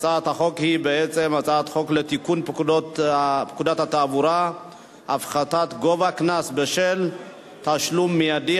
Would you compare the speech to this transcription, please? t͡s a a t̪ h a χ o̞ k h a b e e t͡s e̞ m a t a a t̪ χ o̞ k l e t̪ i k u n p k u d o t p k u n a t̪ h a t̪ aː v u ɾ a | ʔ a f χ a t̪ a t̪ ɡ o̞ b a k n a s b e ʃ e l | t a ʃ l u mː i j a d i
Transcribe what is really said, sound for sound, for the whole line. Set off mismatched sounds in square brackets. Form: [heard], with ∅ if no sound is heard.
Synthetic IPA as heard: t͡s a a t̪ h a χ o̞ k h [i] b e e t͡s e̞ m a [t͡s] a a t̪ χ o̞ k l e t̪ i k u n p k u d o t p k u [d] a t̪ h a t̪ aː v u ɾ a | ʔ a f χ a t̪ a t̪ ɡ o̞ [v] a k n a s b e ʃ e l | t a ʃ l u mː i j a d i